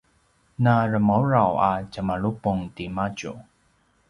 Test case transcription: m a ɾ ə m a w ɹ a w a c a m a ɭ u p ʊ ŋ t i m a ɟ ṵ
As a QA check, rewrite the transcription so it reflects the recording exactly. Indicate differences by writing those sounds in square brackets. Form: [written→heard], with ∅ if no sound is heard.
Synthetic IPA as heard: [m→n] a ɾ ə m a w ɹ a w a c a m a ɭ u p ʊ ŋ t i m a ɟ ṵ